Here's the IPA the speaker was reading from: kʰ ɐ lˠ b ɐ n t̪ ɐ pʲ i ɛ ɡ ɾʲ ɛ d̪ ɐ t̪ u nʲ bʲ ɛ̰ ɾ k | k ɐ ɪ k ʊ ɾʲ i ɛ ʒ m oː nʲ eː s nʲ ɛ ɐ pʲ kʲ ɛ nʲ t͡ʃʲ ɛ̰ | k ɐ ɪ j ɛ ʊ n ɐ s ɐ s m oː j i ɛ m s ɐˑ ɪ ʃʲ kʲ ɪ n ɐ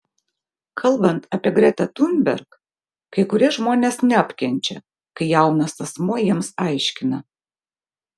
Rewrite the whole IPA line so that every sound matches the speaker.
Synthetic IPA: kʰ ɐ lˠ b ɐ n t̪ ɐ pʲ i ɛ ɡ ɾʲ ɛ t̪ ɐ t̪ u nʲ bʲ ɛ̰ ɾ k | k ɐ ɪ k ʊ ɾʲ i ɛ ʒ m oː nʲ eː s nʲ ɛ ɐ pʲ kʲ ɛ nʲ t͡ʃʲ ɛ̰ | k ɐ ɪ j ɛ ʊ n ɐ s ɐ s m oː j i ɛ m s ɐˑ ɪ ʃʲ kʲ ɪ n ɐ